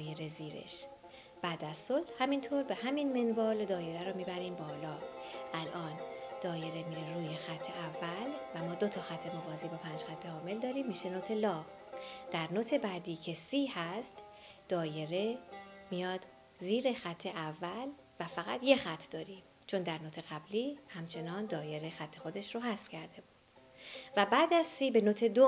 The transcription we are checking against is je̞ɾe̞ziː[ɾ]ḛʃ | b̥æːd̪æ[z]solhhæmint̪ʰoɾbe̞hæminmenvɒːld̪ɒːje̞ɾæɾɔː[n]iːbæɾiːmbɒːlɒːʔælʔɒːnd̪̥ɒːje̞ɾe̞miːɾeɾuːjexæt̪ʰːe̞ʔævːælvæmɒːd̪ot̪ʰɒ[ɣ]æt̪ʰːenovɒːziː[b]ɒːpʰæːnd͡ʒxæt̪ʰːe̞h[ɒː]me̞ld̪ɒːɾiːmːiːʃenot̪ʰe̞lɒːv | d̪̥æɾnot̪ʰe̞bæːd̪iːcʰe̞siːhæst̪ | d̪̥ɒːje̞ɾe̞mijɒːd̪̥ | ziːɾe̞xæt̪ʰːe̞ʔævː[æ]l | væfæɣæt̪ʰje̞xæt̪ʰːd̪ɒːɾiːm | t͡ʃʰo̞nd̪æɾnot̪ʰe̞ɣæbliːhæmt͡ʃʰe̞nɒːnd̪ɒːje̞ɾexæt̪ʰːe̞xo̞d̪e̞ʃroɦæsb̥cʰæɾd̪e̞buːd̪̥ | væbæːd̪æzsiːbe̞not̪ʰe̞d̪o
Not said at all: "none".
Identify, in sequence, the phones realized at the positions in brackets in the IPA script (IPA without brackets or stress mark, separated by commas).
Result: ɾ, z, m, x, b, ɒː, æ